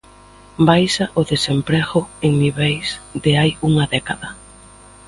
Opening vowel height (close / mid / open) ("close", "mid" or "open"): open